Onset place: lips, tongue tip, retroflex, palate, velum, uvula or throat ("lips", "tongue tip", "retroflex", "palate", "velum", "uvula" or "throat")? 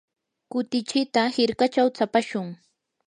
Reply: velum